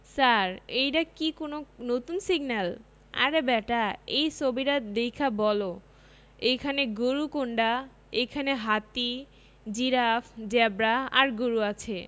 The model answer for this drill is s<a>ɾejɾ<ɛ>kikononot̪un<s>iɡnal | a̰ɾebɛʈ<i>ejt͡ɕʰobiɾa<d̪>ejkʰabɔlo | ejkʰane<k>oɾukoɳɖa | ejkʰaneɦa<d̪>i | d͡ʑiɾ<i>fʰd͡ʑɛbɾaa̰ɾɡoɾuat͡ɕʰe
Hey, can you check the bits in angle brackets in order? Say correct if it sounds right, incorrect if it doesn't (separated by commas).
correct, incorrect, correct, incorrect, correct, incorrect, incorrect, incorrect